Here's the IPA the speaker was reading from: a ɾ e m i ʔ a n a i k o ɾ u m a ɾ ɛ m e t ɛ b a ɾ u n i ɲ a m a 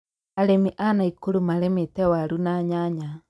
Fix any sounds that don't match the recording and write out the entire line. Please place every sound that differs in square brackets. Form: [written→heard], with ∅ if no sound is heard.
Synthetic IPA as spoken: a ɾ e m i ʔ a n a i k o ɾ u m a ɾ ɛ m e t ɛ [b→w] a ɾ u n [i→a] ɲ a [m→ɲ] a